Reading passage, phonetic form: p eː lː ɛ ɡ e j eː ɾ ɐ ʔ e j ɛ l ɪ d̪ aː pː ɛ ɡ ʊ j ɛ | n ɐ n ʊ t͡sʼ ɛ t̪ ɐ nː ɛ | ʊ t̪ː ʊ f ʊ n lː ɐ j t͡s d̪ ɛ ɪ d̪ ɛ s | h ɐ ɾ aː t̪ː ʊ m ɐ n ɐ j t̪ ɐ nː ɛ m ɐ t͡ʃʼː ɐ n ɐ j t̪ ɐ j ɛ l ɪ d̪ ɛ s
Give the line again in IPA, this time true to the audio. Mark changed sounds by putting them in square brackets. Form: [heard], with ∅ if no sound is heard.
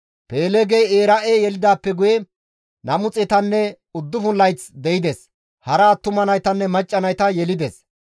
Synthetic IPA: p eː [l] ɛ ɡ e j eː ɾ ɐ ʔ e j ɛ l ɪ d̪ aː pː ɛ ɡ ʊ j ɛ | n ɐ [m] ʊ t͡sʼ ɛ t̪ ɐ nː ɛ | ʊ [d̪ː] ʊ f ʊ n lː ɐ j t͡s d̪ ɛ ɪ d̪ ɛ s | h ɐ ɾ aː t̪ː ʊ m ɐ n ɐ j t̪ ɐ nː ɛ m ɐ t͡ʃʼː ɐ n ɐ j t̪ ɐ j ɛ l ɪ d̪ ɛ s